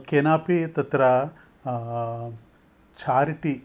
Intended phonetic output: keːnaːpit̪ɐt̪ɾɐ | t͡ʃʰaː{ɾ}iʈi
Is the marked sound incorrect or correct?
correct